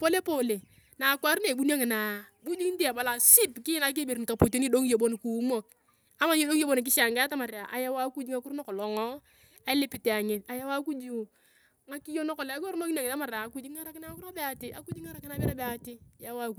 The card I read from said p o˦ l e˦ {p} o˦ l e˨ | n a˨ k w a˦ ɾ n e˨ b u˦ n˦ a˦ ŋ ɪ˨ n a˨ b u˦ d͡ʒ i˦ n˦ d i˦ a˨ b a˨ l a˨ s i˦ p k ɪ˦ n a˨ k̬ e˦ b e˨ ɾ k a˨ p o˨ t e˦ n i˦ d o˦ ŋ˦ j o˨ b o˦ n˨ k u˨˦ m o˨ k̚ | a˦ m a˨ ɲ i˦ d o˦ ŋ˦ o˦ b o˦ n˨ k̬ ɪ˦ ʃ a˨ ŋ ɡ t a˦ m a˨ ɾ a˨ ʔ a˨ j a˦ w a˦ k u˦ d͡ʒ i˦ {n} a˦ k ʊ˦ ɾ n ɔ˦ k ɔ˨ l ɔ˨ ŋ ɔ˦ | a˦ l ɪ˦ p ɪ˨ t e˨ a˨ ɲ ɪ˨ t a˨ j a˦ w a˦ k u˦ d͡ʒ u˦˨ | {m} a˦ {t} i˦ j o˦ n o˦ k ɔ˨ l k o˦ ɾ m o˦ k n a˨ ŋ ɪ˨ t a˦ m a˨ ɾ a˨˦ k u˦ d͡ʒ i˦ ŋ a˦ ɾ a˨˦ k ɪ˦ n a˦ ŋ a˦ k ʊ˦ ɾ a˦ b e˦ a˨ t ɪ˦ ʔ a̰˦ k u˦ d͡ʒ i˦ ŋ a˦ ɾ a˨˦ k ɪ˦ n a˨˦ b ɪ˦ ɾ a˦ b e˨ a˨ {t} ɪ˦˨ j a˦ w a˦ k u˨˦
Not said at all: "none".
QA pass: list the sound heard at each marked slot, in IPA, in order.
p, ŋ, ŋ, k, t

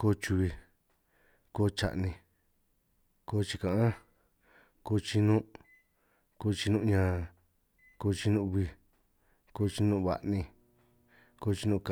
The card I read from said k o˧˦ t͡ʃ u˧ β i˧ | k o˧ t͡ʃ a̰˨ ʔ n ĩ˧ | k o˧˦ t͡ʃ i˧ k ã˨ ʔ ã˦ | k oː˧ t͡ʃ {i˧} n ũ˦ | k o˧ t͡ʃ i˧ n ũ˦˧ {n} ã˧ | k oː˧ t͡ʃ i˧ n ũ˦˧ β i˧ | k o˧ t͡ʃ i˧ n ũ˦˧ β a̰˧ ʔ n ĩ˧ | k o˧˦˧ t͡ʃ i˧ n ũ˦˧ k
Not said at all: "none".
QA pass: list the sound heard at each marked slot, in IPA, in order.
i˧, ɲ

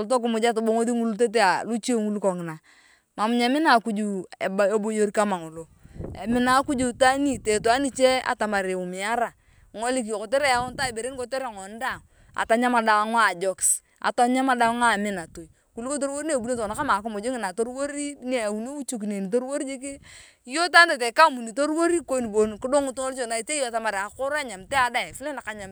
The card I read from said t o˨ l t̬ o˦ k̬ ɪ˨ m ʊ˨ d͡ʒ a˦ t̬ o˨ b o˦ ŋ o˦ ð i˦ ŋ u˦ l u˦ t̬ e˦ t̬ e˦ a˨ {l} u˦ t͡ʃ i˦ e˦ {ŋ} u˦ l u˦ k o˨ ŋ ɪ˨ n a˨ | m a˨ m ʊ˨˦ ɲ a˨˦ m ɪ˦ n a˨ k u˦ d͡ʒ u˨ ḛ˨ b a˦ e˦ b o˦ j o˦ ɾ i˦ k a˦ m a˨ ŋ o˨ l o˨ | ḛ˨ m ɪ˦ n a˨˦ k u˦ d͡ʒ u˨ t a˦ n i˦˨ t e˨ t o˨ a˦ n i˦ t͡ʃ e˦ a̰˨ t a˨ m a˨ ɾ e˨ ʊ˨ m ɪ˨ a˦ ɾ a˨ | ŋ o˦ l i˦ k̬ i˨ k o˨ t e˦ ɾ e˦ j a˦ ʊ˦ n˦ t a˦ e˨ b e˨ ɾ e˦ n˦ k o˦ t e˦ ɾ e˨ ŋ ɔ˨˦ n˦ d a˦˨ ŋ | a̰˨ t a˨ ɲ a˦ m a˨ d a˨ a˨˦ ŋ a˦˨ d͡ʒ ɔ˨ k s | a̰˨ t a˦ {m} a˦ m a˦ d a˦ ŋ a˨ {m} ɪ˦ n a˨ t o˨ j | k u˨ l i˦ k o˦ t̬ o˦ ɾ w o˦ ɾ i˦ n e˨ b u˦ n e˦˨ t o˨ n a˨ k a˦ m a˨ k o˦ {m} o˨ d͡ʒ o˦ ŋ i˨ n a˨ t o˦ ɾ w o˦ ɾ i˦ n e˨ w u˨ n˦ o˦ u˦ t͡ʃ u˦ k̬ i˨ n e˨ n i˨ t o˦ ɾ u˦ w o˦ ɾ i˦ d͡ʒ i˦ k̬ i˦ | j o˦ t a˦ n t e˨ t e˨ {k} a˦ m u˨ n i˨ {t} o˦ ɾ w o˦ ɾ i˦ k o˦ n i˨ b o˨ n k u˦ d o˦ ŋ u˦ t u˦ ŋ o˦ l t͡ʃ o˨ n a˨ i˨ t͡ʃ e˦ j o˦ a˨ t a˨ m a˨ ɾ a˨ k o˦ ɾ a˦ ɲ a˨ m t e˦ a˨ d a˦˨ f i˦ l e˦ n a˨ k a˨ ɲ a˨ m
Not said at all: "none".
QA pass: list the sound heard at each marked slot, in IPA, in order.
l, ŋ, ɲ, m, m, k, t

